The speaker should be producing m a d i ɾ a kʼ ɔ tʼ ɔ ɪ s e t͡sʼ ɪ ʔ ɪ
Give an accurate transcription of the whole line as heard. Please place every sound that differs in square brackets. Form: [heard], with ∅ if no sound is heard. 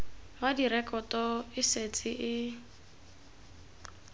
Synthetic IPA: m a d i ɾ [ɛ] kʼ ɔ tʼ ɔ ɪ s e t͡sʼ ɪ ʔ ɪ